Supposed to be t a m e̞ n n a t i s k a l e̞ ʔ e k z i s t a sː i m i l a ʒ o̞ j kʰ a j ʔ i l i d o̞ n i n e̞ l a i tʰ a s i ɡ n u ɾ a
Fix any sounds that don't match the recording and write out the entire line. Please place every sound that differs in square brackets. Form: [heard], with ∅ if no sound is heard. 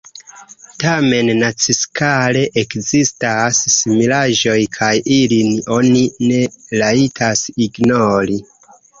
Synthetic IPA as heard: t a m e̞ n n a [t͡s] i s k a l e̞ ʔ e k z i s t a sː i m i l a ʒ o̞ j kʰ a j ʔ i l i [n] o̞ n i n e̞ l a i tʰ a s i ɡ n [o] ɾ [i]